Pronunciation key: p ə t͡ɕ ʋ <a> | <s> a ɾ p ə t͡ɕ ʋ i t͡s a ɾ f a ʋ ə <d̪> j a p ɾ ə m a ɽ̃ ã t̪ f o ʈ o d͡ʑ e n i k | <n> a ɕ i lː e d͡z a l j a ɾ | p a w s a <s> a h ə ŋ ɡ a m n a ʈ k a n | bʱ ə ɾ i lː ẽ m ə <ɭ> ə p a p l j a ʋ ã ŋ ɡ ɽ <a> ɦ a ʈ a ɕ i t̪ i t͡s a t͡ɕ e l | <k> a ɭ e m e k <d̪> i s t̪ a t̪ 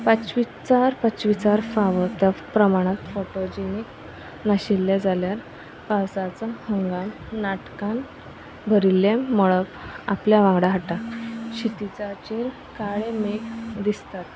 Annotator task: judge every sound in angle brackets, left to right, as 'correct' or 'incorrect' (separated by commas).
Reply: incorrect, incorrect, incorrect, correct, incorrect, correct, correct, correct, correct